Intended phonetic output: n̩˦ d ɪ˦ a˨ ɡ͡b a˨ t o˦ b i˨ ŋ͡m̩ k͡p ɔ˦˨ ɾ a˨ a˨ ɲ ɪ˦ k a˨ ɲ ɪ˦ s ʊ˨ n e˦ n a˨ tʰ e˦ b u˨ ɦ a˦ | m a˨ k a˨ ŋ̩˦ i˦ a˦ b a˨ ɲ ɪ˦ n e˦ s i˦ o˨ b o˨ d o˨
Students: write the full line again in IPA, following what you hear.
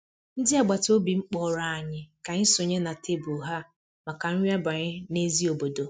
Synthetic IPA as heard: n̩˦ d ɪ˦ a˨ ɡ͡b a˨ t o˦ b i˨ ŋ͡m̩ k͡p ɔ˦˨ ɾ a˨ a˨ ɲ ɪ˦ k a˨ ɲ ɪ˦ s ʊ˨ ɲ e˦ n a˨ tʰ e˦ b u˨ ɦ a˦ | m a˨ k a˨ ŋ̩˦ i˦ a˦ b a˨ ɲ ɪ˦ n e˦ z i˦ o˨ b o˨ d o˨